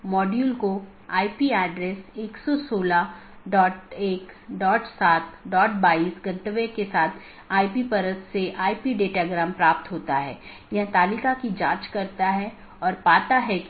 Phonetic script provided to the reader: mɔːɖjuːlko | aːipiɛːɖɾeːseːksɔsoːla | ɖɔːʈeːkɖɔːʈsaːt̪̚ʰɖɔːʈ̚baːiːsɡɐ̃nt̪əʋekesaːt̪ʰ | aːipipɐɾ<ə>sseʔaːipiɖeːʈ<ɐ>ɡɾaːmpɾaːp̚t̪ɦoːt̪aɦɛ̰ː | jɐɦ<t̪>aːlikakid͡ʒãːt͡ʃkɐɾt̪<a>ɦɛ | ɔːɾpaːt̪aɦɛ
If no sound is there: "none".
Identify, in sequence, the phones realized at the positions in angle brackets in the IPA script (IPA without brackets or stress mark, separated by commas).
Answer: ə, a, t̪, a